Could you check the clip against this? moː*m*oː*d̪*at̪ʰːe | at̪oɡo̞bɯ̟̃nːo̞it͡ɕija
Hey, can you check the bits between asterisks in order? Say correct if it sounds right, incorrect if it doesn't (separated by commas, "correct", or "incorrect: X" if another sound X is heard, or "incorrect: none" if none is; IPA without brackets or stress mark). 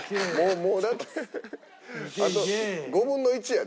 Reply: correct, correct